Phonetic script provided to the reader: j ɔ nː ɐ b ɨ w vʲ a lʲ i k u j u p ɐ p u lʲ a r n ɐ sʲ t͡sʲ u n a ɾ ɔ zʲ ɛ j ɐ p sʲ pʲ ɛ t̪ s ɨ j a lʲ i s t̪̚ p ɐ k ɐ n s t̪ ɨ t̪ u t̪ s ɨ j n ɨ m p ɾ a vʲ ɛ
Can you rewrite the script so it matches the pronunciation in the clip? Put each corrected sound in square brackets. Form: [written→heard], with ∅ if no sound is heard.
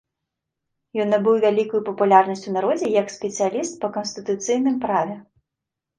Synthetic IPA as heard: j ɔ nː ɐ b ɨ w vʲ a lʲ i k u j u p ɐ p u lʲ a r n ɐ sʲ t͡sʲ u n a ɾ ɔ [zʲ→d͡zʲ] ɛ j ɐ [p→k] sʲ pʲ ɛ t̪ s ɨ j a lʲ i s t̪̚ p ɐ k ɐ n s t̪ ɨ t̪ u t̪ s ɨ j n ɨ m p ɾ a vʲ ɛ